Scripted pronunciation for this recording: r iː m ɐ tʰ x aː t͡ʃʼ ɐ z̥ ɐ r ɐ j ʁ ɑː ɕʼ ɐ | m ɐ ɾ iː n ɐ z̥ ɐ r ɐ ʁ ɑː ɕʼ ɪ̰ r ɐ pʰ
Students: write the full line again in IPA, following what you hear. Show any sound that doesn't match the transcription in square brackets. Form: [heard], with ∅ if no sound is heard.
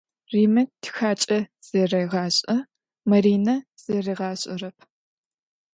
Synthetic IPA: r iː m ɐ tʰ x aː t͡ʃʼ ɐ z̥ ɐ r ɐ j ʁ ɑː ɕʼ ɐ | m ɐ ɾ iː n ɐ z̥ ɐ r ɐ ʁ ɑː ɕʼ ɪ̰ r ɐ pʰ